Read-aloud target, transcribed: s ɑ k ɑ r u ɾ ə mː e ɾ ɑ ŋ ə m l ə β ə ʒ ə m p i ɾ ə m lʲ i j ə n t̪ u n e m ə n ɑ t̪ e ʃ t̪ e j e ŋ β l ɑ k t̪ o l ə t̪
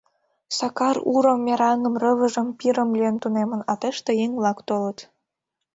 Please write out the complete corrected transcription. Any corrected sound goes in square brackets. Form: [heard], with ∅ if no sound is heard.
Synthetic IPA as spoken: s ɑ k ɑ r u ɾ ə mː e ɾ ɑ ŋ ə m [r] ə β ə ʒ ə m p i ɾ ə m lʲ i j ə n t̪ u n e m ə n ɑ t̪ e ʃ t̪ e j e ŋ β l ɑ k t̪ o l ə t̪

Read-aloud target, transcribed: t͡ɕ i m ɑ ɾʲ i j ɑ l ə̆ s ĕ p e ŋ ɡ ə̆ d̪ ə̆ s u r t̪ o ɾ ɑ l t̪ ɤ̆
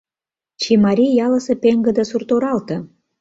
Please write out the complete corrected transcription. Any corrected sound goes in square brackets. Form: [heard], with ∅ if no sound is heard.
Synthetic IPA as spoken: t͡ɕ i m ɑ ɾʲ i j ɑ l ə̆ s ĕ p e ŋ ɡ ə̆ d̪ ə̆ s u r t̪ o ɾ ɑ l t̪ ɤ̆

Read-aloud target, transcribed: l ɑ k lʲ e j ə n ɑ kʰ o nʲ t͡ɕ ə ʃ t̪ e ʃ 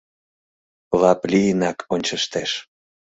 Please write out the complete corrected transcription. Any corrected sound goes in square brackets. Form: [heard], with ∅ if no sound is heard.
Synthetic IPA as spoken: l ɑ [p] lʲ [i] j ə n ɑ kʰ o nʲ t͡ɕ ə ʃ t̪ e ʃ

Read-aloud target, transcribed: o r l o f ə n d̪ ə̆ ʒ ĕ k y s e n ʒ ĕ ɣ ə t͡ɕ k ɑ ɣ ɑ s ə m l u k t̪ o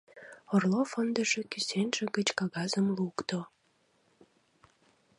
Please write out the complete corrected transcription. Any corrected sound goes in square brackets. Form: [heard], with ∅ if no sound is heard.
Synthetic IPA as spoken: o r l o f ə n d̪ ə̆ ʒ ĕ k y s e n ʒ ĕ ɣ ə t͡ɕ k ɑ ɣ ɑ [z] ə m l u k t̪ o

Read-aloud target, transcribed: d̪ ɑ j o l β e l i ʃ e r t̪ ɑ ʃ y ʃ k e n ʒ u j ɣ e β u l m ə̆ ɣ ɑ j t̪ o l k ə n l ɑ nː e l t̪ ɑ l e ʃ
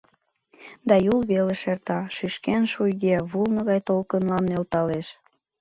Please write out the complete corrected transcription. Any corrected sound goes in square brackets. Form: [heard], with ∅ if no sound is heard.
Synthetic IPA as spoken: d̪ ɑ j [u] l β e l [e] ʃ e r t̪ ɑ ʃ y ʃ k e n [ʃ] u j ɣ e β u l [n] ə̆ ɣ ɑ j t̪ o l k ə n l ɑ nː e l t̪ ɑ l e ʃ

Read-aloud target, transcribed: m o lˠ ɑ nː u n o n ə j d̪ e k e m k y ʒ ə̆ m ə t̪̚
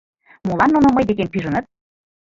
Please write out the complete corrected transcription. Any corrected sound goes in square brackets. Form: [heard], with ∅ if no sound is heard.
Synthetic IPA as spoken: m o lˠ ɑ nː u n o [m] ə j d̪ e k e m [p] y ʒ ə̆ [n] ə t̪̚

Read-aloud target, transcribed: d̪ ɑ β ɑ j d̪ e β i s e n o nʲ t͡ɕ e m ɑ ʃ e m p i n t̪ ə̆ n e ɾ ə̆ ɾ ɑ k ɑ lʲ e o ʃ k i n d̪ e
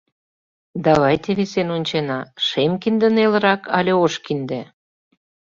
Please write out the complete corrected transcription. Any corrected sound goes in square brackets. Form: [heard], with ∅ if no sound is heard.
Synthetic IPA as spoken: d̪ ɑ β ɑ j [t̪] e β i s e n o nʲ t͡ɕ e [n] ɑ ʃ e m [k] i n [d̪] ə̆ n e [l] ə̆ ɾ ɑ k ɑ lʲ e o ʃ k i n d̪ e

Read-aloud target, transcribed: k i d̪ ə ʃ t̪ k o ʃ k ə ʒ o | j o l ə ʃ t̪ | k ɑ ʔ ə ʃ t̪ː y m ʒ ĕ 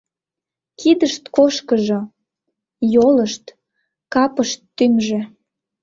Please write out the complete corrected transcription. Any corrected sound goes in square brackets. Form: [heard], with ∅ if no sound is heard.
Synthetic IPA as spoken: k i d̪ ə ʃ t̪ k o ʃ k ə ʒ o | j o l ə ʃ t̪ | k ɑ [p] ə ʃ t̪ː y m ʒ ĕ

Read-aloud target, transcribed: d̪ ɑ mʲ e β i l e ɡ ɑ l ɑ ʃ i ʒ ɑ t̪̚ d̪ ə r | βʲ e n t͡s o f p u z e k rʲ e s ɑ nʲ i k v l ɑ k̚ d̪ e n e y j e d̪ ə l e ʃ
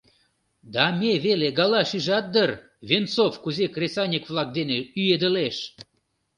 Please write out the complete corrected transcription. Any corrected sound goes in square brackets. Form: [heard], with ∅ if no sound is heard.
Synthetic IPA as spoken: d̪ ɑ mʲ e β [e] l e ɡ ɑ l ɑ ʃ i ʒ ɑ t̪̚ d̪ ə r | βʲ e n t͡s o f [k] u z e k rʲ e s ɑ nʲ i k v l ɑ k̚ d̪ e n e y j e d̪ ə l e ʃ

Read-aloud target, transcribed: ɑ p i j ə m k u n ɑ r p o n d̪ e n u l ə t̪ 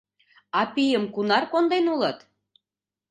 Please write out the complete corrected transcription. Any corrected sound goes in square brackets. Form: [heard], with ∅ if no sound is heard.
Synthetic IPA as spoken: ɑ p i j ə m k u n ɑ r [k] o n d̪ e n u l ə t̪

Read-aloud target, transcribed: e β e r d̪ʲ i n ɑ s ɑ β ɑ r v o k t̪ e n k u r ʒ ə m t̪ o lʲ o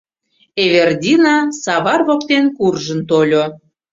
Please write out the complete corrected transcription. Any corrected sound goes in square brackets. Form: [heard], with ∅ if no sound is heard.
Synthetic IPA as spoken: e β e r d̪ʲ i n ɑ s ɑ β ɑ r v o k t̪ e n k u r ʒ ə [n] t̪ o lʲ o

